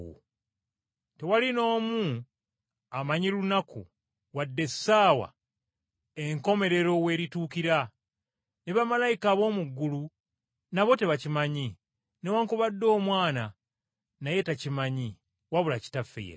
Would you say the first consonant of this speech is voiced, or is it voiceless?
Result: voiceless